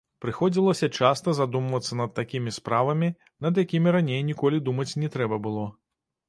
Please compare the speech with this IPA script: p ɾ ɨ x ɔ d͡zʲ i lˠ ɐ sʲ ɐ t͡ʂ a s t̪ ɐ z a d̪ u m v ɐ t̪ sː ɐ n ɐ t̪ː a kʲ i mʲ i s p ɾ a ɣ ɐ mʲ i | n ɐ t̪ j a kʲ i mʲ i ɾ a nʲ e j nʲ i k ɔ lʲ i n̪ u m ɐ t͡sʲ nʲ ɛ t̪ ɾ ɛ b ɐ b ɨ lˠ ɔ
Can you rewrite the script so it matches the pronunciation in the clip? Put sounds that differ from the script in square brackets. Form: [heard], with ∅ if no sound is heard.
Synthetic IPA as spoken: p ɾ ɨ x ɔ d͡zʲ i lˠ ɐ sʲ ɐ t͡ʂ a s t̪ ɐ z a d̪ u m v ɐ t̪ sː ɐ n ɐ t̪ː a kʲ i mʲ i s p ɾ a [v] ɐ mʲ i | n ɐ [d̪] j a kʲ i mʲ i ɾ a nʲ e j nʲ i k ɔ lʲ i [d̪] u m ɐ t͡sʲ nʲ ɛ t̪ ɾ ɛ b ɐ b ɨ lˠ ɔ